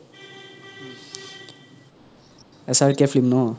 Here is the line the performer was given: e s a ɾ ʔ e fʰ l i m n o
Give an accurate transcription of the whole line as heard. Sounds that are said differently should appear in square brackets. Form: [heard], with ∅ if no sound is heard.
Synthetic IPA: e s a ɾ [k] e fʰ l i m n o